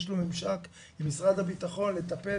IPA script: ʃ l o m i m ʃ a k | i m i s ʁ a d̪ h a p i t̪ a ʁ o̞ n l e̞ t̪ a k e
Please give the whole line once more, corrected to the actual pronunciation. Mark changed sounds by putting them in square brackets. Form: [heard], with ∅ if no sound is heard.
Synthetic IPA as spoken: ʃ l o m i m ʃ a k | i m i s ʁ a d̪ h a [b] i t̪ a [χ] o̞ n l e̞ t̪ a [p] e

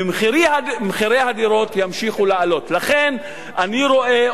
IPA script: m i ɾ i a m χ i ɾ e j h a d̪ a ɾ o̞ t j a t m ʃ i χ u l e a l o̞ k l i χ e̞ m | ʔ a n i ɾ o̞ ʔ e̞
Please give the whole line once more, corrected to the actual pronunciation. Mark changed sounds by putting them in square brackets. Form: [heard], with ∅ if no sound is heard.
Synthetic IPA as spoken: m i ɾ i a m χ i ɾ e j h a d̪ [i] ɾ o̞ t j a [∅] m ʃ i χ u l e a l o̞ [t] l [a] χ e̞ [n] | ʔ a n i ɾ o̞ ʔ e̞

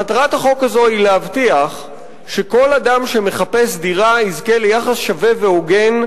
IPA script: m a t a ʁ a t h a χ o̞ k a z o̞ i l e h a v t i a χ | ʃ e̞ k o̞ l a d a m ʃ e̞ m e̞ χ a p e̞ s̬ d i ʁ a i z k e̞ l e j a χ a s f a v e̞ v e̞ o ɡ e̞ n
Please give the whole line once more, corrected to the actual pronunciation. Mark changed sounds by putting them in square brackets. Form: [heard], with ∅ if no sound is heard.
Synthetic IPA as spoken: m a t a ʁ a t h a χ o̞ k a z o̞ i l e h a v t i a χ | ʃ e̞ k o̞ l a d a m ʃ e̞ m e̞ χ a p e̞ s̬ d i ʁ a i z k e̞ l e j a χ a s [ʃ] a v e̞ v e̞ o ɡ e̞ n

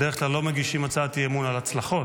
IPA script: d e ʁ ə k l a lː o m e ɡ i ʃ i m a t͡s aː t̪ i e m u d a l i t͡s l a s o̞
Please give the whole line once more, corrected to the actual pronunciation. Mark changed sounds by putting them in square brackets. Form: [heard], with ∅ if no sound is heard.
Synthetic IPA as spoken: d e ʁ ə k l a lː o m e ɡ i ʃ i m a t͡s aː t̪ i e m u [n] a l [a] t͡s l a [χ] o̞

